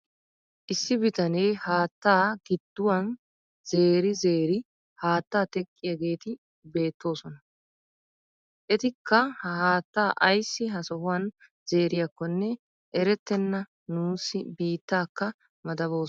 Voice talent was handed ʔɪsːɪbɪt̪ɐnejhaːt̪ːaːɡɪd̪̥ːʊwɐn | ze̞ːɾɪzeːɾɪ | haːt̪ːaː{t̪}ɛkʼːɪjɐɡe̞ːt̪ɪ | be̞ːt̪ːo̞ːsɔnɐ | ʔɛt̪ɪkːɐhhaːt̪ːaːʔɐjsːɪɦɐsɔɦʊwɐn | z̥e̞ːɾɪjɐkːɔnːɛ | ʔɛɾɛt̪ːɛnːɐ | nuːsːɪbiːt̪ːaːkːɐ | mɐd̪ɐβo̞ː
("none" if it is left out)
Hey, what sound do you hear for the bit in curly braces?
t̪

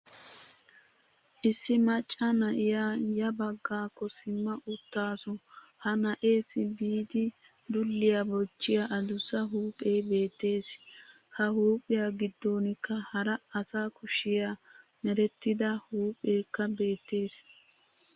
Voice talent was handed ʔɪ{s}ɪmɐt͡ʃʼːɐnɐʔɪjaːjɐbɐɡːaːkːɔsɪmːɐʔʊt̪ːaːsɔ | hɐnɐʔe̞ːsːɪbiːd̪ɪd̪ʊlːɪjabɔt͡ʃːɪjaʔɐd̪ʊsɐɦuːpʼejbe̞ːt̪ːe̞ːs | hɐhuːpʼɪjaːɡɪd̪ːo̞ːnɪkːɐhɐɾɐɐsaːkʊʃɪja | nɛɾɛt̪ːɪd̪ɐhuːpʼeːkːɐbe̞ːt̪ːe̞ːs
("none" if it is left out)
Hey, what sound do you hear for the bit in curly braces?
sː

